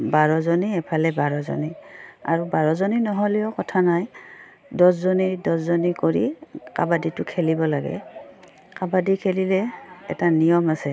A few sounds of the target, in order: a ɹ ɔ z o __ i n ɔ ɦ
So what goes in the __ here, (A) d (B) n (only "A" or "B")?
B